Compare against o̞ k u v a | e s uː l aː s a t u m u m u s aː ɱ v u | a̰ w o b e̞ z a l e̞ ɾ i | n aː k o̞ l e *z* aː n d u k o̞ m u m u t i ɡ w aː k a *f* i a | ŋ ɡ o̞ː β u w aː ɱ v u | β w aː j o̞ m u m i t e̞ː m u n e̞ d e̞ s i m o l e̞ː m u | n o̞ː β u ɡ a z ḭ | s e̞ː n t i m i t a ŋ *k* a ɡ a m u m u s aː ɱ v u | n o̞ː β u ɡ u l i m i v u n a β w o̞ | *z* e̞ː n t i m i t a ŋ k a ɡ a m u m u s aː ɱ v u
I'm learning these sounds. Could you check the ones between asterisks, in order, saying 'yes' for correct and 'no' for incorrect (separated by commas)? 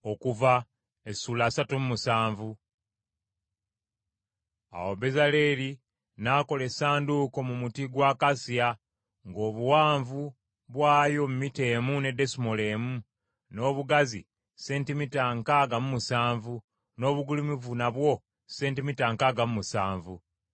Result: no, no, yes, no